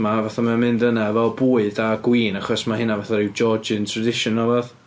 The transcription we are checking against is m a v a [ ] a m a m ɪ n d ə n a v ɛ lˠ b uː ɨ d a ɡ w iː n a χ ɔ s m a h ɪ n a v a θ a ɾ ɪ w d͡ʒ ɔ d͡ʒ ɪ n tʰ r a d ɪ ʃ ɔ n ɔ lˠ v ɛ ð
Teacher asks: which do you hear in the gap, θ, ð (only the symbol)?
θ